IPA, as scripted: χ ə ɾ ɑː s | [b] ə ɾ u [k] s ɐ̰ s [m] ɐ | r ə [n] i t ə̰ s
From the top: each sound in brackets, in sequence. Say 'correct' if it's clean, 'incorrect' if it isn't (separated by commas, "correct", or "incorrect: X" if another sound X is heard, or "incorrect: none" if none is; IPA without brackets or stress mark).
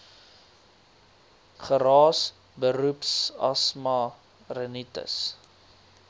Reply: correct, incorrect: p, correct, correct